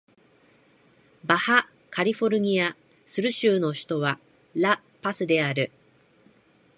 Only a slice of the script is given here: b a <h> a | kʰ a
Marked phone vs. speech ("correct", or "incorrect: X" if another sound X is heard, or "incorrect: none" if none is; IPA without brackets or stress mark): correct